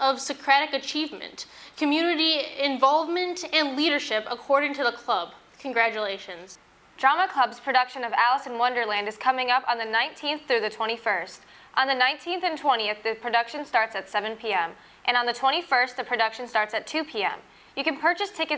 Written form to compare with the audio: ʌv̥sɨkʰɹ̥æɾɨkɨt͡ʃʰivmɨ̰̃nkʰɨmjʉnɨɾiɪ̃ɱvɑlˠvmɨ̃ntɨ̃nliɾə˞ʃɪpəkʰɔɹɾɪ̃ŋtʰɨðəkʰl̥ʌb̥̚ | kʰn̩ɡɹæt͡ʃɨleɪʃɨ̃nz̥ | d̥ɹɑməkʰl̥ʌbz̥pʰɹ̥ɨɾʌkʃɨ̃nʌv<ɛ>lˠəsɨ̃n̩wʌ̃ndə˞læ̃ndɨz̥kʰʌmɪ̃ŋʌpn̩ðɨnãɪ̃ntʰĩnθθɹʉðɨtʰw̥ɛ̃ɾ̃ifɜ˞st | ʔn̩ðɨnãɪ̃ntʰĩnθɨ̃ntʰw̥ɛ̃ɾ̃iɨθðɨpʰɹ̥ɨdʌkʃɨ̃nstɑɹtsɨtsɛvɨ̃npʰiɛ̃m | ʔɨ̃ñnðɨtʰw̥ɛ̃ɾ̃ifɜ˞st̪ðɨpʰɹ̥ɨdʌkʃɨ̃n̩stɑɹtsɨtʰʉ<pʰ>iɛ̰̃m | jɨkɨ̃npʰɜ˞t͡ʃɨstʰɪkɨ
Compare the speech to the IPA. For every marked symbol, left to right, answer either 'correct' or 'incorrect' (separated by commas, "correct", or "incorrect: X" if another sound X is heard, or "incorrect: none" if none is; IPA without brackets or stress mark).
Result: incorrect: æ, correct